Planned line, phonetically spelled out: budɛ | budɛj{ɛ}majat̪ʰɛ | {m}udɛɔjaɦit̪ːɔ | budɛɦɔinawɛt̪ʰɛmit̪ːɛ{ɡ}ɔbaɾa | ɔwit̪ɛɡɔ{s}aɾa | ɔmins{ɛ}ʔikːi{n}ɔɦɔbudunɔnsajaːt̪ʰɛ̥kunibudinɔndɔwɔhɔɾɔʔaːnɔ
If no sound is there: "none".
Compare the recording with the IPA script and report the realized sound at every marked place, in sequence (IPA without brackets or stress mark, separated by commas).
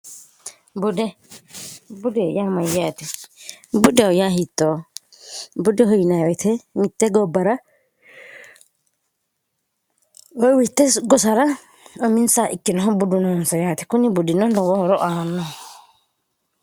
a, b, ɡ, s, a, n